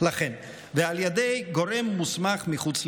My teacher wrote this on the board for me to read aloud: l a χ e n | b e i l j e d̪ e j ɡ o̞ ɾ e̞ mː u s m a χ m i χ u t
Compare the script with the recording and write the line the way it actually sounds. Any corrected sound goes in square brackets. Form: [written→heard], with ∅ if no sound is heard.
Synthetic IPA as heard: l a χ e n | [b→v] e [i→a] l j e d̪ e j ɡ o̞ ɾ e̞ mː u s m a χ m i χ u [t→t͡s]

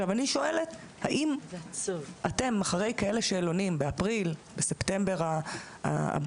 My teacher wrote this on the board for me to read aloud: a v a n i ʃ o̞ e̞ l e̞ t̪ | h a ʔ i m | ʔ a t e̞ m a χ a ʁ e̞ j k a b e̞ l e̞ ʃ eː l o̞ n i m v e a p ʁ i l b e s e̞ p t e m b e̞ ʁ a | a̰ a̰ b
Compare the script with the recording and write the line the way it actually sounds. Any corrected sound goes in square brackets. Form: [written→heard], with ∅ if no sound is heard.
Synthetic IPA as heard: a v a n i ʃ o̞ e̞ l e̞ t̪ | h a ʔ i m | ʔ a t e̞ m a χ a ʁ e̞ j k a [b→∅] e̞ l e̞ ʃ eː l o̞ n i m [v→b] e a p ʁ i l b e s e̞ p t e m b e̞ ʁ a | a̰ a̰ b

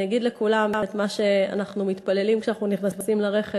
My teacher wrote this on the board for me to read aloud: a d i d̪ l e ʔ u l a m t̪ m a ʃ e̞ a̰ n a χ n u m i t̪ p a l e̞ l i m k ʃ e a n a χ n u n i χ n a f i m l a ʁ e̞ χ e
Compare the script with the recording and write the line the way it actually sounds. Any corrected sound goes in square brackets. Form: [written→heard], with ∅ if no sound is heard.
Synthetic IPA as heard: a [d→ɡ] i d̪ l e [ʔ→k] u l a m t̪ m a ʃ e̞ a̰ n a χ n u m i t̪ p a l e̞ l i m k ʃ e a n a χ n u n i χ n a [f→s] i m l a ʁ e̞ χ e

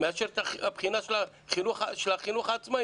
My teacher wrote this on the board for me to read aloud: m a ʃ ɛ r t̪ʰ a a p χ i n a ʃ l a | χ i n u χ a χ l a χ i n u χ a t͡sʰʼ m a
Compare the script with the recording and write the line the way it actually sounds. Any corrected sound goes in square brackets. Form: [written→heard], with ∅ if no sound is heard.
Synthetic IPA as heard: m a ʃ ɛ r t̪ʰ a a p χ i n a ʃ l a | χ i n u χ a [χ→ʃ] l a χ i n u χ a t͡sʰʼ m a

